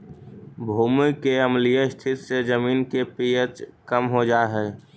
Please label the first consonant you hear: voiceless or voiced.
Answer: voiced